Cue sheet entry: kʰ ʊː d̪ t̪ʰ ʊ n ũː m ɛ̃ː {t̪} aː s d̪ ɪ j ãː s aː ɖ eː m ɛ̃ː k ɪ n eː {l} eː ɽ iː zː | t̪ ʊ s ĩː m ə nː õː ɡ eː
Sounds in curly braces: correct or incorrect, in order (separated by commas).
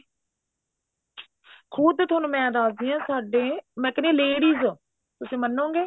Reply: incorrect, correct